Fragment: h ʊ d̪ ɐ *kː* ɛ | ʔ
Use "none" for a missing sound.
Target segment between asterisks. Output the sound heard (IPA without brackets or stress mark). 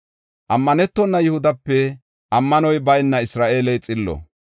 pː